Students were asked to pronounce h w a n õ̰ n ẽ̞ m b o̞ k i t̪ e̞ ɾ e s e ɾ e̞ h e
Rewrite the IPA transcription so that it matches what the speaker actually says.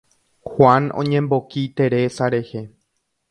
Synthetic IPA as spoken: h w a n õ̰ ɲ ẽ̞ m b o̞ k i t̪ e̞ ɾ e s a ɾ e̞ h e